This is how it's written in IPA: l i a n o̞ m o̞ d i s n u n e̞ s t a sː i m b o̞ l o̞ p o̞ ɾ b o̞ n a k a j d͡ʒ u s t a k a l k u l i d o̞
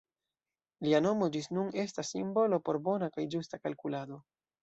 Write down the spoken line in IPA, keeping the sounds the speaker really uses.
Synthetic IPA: l i a n o̞ m o̞ d͡ʒ i s n u n e̞ s t a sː i m b o̞ l o̞ p o̞ ɾ b o̞ n a k a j d͡ʒ u s t a k a l k u l a d o̞